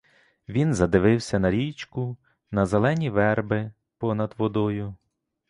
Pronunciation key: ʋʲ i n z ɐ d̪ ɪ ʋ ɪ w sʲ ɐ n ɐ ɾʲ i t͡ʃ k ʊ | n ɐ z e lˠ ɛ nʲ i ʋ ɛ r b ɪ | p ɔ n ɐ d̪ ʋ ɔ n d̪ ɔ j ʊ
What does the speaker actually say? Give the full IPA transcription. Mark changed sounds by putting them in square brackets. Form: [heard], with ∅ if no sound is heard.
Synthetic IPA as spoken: ʋʲ i n z ɐ d̪ ɪ ʋ ɪ w sʲ ɐ n ɐ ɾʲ i t͡ʃ k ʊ | n ɐ z e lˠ ɛ nʲ i ʋ ɛ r b ɪ | p ɔ n ɐ d̪ ʋ ɔ [∅] d̪ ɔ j ʊ